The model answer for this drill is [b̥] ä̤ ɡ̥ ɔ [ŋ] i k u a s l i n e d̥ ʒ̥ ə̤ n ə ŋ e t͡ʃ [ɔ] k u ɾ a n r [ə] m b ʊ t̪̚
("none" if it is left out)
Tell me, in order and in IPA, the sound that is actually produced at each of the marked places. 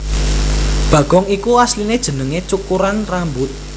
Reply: b̥, ŋ, u, a

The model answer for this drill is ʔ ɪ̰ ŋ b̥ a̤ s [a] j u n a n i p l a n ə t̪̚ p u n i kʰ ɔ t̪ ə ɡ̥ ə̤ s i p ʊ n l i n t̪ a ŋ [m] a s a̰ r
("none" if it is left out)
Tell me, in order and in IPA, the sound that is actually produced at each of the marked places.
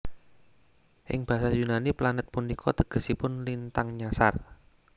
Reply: a, ɲ

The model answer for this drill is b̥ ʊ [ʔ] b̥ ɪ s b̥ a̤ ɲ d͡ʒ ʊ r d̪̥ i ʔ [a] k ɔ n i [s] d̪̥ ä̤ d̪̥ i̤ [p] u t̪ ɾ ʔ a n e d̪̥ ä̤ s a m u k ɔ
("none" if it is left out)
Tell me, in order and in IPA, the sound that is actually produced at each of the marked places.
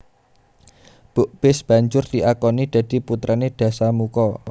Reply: ʔ, a, none, p

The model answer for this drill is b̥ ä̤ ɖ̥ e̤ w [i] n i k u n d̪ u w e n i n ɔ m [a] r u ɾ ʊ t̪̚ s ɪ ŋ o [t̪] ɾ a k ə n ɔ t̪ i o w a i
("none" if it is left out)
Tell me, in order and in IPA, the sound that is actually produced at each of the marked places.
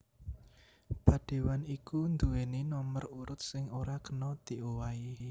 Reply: a, ə, none

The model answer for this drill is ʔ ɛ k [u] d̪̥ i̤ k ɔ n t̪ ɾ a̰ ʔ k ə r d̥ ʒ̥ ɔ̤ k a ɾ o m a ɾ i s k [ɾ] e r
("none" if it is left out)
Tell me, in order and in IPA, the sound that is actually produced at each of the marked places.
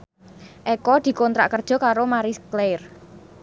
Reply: ɔ, l

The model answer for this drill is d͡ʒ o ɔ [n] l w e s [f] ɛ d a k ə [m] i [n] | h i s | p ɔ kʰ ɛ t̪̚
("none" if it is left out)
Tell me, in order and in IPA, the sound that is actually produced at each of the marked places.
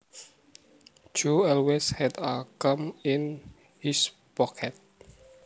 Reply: none, h, m, n

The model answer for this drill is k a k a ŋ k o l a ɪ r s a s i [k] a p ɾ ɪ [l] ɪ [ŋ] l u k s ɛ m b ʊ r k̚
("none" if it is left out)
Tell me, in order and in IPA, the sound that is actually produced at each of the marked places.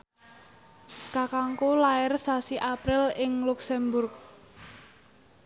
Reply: ʔ, l, ŋ

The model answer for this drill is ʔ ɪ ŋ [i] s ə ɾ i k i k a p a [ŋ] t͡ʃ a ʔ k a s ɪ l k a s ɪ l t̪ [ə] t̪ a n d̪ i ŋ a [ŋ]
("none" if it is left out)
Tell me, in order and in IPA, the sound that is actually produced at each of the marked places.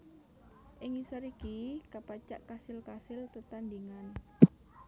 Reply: i, none, ə, n

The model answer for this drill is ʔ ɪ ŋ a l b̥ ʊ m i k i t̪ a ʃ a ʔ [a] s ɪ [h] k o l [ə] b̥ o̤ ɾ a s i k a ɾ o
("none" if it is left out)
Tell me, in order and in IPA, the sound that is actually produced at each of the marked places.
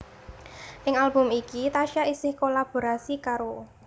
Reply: i, h, a

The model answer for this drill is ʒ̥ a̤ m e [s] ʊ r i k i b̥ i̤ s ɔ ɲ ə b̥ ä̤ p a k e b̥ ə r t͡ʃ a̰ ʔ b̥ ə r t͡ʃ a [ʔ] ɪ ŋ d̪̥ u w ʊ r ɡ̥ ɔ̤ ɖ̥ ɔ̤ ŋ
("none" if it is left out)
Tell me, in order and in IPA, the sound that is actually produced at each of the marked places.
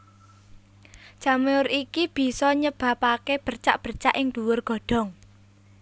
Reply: none, ʔ

